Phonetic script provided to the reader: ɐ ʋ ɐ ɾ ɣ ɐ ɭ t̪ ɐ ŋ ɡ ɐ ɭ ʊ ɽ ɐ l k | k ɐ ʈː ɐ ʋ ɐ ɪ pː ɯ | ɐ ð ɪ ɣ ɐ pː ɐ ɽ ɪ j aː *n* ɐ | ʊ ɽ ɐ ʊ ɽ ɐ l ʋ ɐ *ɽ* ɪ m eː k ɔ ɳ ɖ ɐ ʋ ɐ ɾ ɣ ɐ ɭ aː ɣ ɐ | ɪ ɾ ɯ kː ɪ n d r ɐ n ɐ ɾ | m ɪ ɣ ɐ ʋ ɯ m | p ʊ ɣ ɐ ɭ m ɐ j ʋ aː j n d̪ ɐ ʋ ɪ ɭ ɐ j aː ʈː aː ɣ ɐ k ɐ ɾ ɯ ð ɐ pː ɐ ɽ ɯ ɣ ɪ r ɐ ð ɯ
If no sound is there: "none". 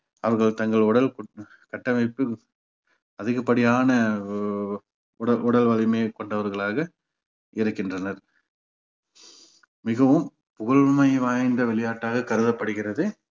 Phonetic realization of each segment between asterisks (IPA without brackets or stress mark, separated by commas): n, l